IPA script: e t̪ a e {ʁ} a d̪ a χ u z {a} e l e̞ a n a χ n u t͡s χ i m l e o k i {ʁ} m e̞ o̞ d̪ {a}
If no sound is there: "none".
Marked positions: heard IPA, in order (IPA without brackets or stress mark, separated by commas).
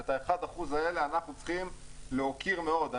χ, a, ʁ, a